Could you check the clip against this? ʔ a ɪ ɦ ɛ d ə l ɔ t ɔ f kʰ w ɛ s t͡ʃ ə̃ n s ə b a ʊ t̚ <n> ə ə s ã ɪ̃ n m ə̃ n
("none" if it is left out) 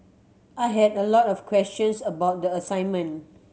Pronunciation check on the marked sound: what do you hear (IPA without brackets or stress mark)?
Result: d